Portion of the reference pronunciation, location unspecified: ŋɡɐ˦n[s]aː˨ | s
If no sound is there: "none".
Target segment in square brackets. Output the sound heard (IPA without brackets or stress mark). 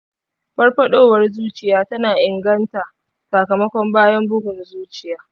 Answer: t